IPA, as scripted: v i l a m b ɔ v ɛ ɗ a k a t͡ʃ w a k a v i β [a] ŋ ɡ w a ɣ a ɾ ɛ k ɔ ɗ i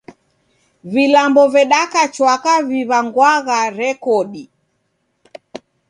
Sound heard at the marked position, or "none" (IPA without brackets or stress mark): a